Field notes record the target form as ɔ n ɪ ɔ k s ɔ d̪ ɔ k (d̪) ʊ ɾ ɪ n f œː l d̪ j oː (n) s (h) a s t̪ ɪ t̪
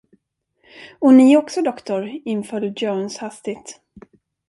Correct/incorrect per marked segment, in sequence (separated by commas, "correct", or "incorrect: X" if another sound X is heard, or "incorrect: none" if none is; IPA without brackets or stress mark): incorrect: t̪, correct, correct